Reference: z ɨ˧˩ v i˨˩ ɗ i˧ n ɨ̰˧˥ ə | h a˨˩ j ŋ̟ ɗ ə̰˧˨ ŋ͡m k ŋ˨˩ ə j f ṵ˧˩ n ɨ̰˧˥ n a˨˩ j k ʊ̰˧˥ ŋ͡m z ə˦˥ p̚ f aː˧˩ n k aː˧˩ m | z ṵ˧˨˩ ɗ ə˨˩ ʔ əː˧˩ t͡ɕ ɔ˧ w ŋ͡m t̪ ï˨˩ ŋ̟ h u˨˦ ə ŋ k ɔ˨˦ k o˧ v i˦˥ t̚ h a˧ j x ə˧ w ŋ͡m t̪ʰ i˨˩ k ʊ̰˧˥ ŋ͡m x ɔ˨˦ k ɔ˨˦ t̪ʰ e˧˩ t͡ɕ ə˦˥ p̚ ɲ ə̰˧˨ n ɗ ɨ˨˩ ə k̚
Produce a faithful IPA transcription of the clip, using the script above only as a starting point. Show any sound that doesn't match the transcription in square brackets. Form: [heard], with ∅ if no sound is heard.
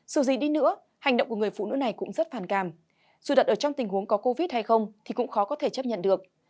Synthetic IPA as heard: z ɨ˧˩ [z] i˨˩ ɗ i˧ n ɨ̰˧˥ ə | h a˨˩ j ŋ̟ ɗ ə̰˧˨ ŋ͡m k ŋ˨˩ ə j f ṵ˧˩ n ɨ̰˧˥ n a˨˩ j k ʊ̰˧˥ ŋ͡m z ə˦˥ [t̚] f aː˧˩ n k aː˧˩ m | z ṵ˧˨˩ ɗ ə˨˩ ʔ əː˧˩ t͡ɕ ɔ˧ w ŋ͡m t̪ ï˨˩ ŋ̟ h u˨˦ ə ŋ k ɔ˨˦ k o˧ v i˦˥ t̚ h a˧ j x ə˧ w ŋ͡m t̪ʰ i˨˩ k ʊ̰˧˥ ŋ͡m x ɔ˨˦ k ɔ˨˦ t̪ʰ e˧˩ t͡ɕ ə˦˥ p̚ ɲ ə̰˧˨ n ɗ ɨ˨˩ ə k̚